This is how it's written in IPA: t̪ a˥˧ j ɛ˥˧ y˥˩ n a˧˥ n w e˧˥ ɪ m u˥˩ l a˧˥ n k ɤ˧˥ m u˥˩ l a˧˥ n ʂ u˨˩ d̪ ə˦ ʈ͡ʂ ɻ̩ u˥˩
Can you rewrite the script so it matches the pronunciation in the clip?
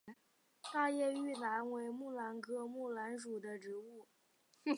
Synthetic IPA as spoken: t̪ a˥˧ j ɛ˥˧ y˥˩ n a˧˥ n w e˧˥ ɪ m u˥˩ l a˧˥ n k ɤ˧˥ m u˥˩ l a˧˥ n ʂ u˨˩ d̪ ə˦ ʈ͡ʂ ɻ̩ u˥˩